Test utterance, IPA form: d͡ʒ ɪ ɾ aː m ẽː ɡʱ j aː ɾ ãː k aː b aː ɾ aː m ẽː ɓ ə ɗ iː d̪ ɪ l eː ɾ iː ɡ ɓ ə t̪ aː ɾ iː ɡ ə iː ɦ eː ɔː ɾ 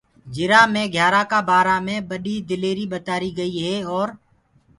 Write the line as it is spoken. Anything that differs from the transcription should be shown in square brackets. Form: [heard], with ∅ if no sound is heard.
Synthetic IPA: d͡ʒ ɪ ɾ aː m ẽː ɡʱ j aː ɾ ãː k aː b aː ɾ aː m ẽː ɓ ə ɗ iː d̪ ɪ l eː ɾ iː [∅] ɓ ə t̪ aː ɾ iː ɡ ə iː ɦ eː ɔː ɾ